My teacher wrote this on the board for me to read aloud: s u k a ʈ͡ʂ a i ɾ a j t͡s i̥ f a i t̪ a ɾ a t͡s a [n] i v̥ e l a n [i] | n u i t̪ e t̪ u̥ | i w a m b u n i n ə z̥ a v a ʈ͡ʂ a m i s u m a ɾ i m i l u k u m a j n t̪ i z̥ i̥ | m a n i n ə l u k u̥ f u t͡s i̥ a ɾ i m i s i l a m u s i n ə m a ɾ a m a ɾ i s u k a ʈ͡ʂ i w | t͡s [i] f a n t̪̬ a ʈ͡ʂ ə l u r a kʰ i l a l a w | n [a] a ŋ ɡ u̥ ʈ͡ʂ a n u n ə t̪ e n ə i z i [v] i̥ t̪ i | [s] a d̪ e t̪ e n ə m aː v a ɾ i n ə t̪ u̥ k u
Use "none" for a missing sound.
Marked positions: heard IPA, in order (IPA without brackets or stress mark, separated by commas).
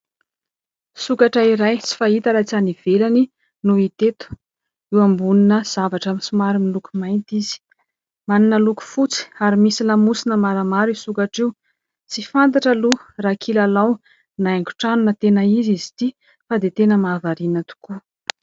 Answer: n, i, i, a, z, f